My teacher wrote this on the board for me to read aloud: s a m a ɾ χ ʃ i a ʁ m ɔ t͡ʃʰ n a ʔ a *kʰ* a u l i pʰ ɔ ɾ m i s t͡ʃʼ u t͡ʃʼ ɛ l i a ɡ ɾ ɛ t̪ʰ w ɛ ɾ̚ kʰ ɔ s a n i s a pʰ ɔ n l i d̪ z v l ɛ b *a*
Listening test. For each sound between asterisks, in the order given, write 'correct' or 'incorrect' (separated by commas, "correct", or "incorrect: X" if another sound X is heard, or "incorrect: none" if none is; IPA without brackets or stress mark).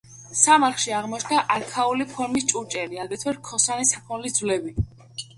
correct, incorrect: i